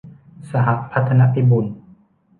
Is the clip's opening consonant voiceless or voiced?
voiceless